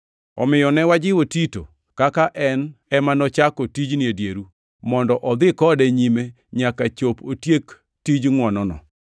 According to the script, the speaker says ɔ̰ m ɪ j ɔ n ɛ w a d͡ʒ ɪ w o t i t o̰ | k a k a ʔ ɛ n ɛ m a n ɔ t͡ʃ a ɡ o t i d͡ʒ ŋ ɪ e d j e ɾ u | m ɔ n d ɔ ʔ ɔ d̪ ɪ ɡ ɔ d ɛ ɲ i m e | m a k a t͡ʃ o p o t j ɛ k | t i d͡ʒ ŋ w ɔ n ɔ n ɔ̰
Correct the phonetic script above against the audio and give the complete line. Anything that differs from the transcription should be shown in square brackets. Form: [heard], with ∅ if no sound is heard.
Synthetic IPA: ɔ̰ m ɪ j ɔ n ɛ w a d͡ʒ ɪ w o t i t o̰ | k a k a ʔ ɛ n ɛ m a n ɔ t͡ʃ a [k] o t i d͡ʒ [n] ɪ e d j e ɾ u | m ɔ n d ɔ ʔ ɔ d̪ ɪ [k] ɔ d ɛ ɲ i m e | [ɲ] a k a t͡ʃ o p o t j [e] k | t i d͡ʒ ŋ w ɔ n ɔ n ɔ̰